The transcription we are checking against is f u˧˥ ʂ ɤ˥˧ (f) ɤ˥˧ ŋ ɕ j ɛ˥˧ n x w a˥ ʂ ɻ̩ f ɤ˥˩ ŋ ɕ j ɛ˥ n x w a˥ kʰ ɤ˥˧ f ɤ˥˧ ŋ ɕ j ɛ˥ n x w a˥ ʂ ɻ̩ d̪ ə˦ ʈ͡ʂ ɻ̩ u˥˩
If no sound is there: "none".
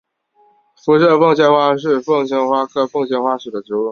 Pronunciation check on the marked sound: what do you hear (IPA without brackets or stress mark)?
f